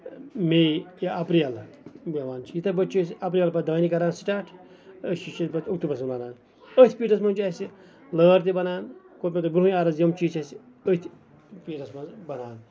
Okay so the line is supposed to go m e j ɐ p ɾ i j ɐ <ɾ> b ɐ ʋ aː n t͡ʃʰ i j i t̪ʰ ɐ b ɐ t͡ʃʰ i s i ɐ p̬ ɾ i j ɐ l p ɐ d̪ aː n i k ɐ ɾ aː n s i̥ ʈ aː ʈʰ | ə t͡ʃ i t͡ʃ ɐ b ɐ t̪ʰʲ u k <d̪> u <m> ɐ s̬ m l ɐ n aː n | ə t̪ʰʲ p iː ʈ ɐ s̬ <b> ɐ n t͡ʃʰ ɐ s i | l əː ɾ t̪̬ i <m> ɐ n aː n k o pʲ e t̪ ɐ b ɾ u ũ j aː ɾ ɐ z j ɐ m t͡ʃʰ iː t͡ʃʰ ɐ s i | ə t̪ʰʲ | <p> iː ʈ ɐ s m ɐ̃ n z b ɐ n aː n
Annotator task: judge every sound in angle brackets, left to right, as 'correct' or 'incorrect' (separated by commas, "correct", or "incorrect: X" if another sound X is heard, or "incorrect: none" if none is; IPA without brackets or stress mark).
incorrect: l, incorrect: t̪, incorrect: b, incorrect: m, incorrect: b, correct